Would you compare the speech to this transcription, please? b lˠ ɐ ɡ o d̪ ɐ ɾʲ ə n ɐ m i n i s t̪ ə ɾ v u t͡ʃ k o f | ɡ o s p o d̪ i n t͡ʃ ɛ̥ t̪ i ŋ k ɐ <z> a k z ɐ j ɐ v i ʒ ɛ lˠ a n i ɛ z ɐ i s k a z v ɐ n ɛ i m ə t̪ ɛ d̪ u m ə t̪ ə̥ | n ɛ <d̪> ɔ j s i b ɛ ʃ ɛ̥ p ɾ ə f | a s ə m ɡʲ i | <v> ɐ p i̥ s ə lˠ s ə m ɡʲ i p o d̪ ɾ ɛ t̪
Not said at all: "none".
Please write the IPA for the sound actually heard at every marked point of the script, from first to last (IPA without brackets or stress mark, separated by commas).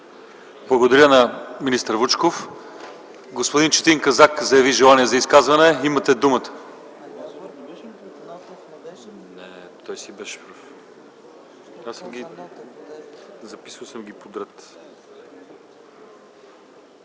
z, t̪, z